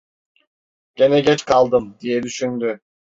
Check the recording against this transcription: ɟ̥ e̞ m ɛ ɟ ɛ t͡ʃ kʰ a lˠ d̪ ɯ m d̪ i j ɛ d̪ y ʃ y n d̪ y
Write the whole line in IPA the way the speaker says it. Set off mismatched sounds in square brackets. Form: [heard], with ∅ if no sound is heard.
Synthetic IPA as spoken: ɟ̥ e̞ [n] ɛ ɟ ɛ t͡ʃ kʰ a lˠ d̪ ɯ m d̪ i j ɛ d̪ y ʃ y n d̪ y

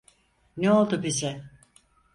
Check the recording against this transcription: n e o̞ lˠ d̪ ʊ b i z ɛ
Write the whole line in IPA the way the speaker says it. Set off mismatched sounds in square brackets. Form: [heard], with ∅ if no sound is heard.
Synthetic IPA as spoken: n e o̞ lˠ d̪ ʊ b i z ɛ

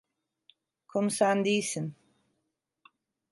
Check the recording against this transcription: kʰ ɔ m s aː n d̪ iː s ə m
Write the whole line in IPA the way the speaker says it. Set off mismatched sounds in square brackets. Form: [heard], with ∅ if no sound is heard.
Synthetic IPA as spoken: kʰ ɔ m s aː n d̪ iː s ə [n]

